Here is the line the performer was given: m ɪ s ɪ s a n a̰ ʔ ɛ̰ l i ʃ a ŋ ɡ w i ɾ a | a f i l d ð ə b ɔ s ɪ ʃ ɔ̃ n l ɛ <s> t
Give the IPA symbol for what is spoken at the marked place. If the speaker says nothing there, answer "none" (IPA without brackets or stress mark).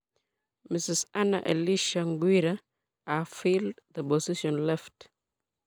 f